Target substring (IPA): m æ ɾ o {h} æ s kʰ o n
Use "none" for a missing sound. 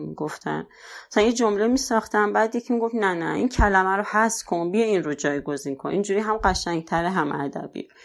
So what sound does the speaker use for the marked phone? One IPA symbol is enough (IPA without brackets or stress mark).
h